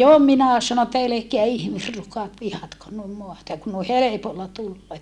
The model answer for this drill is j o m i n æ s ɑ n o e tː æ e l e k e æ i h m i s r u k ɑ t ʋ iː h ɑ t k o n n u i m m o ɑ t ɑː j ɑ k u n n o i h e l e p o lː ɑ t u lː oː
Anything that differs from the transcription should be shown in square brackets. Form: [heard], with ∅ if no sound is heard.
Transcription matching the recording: j o m i n æ s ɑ n o e tː æ e l e k e æ i h m i s r u k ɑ t ʋ [i] h ɑ t k o n n u i m m o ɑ t [ɑ] j ɑ k u n n o i h e l e p o lː ɑ t u lː oː